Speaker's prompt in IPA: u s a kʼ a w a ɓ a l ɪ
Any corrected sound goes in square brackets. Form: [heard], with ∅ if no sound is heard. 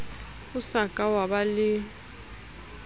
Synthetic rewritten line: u s a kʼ a w a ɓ a l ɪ